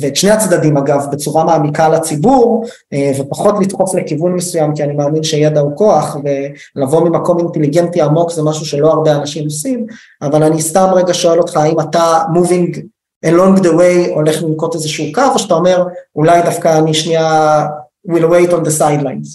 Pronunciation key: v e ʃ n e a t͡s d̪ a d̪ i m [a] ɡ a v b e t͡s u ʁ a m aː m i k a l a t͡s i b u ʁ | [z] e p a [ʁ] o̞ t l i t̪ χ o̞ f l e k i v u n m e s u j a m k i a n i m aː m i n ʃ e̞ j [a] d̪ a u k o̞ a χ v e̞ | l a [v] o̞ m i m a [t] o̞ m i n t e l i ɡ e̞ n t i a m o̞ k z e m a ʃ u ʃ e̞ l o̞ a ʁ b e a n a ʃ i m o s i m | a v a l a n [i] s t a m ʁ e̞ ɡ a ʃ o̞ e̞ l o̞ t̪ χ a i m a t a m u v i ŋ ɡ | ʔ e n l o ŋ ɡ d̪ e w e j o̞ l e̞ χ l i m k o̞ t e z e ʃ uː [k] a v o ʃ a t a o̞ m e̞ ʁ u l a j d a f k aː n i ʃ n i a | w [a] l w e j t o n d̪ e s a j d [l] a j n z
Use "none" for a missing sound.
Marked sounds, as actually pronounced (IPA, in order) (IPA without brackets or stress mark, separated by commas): a, v, χ, e, v, k, i, k, i, l